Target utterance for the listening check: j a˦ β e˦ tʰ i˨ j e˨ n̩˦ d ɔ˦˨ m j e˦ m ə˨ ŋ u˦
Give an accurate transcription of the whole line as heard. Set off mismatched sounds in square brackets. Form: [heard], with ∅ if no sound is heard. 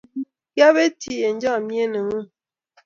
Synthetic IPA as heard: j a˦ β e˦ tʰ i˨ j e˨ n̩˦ [d͡ʒ] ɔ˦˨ m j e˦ [n] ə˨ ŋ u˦